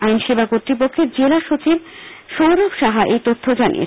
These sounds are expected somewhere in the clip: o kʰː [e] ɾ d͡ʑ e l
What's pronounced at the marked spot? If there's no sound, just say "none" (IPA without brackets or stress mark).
e